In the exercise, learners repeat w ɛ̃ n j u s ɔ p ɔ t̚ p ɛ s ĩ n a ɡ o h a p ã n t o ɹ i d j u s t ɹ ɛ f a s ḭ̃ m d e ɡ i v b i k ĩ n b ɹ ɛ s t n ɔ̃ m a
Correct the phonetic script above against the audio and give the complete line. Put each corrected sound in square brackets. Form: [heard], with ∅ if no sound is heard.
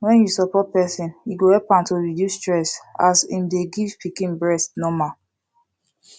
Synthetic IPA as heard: w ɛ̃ n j u s ɔ p ɔ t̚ p ɛ s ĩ n [i] ɡ o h [ɛ] p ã n t o ɹ i d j u s t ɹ ɛ [s] a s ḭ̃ m d e ɡ i v [p] i k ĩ n b ɹ ɛ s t n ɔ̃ m a